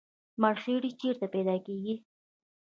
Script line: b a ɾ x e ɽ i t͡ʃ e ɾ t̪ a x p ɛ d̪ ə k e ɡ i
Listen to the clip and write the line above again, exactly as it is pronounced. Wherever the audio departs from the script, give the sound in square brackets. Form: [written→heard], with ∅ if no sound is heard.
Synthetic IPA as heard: [b→m] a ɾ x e ɽ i t͡ʃ e ɾ t̪ a [x→∅] p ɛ d̪ [ə→ɑ] k e ɡ i